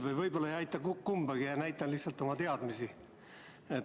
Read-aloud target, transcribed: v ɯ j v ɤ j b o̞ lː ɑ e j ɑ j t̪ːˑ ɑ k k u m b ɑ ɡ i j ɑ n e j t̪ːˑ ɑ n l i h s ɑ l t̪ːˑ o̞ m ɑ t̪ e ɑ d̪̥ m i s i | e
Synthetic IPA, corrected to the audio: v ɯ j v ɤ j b o̞ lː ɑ e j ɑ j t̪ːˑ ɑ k k u m b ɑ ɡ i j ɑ n æ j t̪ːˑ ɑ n l i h s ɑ l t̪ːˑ o̞ m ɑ t̪ e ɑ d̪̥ m i s i | e